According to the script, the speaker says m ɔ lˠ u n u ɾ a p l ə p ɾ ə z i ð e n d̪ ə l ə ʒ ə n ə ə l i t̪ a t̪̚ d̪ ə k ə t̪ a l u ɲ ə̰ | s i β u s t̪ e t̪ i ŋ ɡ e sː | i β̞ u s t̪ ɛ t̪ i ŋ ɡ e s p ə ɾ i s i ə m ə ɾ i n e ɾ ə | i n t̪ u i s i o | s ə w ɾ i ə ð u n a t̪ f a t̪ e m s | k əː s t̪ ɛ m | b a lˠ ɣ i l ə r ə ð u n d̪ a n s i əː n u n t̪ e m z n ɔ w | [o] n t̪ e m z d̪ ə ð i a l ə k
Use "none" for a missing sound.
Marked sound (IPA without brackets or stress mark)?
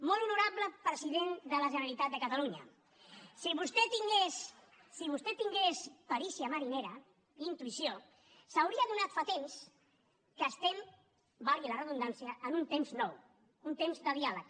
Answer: u